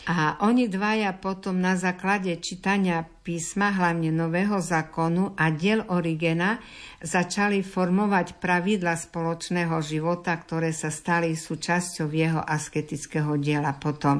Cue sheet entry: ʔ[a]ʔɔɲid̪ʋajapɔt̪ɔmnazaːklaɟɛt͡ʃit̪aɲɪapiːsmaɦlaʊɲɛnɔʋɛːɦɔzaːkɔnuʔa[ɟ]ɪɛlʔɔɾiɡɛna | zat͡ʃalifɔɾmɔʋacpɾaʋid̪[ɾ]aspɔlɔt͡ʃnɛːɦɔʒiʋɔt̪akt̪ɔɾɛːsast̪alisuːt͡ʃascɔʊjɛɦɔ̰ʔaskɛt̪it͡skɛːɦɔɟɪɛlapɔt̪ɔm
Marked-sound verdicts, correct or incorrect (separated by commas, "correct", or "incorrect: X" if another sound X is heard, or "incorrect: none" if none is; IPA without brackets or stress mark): correct, correct, incorrect: l